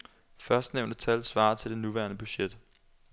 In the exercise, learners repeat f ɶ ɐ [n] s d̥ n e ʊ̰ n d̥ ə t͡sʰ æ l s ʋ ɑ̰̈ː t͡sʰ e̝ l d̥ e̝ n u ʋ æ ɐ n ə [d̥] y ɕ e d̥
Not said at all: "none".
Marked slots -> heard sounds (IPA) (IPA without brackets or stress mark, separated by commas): none, b̥